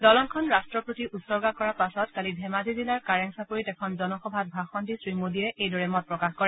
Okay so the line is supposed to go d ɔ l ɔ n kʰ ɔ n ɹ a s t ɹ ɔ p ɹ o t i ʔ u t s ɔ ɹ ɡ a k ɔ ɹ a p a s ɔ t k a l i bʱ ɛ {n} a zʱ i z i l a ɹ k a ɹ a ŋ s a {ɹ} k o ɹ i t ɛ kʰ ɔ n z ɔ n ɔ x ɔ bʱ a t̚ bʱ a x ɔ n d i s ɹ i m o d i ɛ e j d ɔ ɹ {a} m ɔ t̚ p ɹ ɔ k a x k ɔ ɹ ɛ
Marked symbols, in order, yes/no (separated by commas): no, no, no